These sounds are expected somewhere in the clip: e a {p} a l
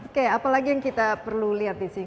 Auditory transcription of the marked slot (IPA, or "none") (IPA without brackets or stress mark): p